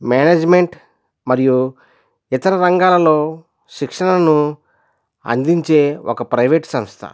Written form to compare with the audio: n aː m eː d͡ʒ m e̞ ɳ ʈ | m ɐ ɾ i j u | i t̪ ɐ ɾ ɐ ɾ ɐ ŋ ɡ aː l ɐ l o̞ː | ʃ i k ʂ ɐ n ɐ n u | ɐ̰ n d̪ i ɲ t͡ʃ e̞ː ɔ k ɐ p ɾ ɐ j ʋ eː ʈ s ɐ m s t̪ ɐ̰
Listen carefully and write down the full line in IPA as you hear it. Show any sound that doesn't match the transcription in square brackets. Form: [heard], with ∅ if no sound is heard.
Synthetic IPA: [m] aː [n] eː d͡ʒ m e̞ ɳ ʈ | m ɐ ɾ i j u | i t̪ ɐ ɾ ɐ ɾ ɐ ŋ ɡ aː l ɐ l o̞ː | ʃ i k ʂ ɐ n ɐ n u | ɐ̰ n d̪ i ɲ t͡ʃ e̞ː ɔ k ɐ p ɾ ɐ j ʋ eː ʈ s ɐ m s [t̪ʰ] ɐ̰